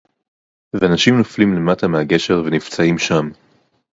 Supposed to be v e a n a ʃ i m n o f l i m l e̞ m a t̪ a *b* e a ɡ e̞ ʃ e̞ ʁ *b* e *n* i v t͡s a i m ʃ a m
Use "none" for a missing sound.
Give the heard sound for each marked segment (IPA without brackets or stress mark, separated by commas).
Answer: m, v, n